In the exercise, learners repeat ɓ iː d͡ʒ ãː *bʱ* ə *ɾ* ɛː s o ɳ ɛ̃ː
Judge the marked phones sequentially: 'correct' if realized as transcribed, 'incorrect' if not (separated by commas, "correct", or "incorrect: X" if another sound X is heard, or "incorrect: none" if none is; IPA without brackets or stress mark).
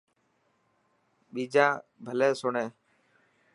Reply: correct, incorrect: l